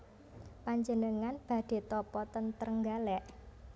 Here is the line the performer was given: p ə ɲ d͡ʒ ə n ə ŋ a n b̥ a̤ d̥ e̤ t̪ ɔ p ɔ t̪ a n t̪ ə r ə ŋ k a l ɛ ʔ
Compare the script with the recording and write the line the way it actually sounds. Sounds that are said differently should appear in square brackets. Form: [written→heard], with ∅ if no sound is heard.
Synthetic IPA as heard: p [ə→a] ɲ d͡ʒ ə n ə ŋ a n b̥ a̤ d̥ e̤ t̪ ɔ p ɔ t̪ [a→ə] n t̪ ə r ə ŋ [k→ɡ] a l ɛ ʔ